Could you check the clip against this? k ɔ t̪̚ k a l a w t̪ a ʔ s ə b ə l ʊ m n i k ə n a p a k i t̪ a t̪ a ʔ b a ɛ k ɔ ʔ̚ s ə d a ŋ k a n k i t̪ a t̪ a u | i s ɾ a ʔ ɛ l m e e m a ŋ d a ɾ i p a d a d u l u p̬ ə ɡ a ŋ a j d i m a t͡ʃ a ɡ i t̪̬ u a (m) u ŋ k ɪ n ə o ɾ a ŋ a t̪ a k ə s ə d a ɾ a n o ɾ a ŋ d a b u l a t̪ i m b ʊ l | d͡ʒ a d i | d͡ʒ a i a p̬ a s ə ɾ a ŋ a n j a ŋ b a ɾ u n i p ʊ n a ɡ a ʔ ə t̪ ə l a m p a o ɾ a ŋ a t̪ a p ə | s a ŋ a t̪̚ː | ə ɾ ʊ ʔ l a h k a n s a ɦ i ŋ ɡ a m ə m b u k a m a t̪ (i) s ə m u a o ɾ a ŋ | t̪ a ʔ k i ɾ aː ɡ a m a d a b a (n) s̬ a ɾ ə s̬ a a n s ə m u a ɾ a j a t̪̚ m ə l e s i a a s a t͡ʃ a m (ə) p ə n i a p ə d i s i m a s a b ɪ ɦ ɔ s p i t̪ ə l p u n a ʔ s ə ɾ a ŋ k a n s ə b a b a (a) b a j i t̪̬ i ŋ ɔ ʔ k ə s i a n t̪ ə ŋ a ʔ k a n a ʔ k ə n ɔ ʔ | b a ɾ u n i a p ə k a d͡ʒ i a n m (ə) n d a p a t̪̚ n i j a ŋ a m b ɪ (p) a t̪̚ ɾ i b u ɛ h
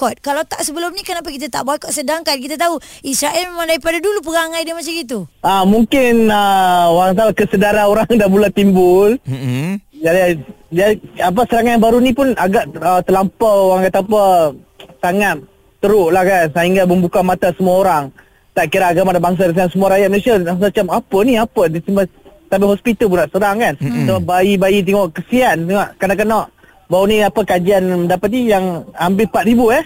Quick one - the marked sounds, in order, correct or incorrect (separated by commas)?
correct, incorrect, incorrect, incorrect, incorrect, correct, correct